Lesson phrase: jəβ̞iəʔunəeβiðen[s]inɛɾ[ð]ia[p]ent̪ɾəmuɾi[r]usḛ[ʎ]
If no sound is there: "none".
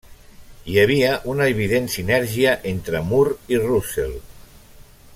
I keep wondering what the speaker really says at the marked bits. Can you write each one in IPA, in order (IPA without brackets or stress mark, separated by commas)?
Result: s, ʒ, ʔ, r, l